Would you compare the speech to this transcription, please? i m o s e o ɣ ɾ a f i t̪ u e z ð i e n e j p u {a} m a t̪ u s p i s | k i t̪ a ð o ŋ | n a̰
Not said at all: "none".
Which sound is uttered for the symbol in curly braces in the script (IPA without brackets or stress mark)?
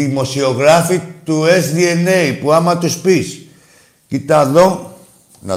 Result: a